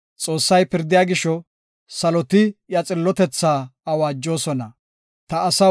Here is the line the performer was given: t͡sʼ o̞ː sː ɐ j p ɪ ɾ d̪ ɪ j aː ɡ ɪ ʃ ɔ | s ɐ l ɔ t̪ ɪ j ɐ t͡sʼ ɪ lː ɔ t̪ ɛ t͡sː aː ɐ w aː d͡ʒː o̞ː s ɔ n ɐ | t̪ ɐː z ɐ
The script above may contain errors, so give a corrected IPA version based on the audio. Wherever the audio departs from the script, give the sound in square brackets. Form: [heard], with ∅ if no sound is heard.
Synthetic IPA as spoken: t͡sʼ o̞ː sː ɐ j p ɪ ɾ d̪ ɪ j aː ɡ ɪ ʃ ɔ | s ɐ l ɔ t̪ ɪ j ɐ t͡sʼ ɪ lː ɔ t̪ ɛ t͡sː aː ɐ w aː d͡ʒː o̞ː s ɔ n ɐ | t̪ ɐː [s] ɐ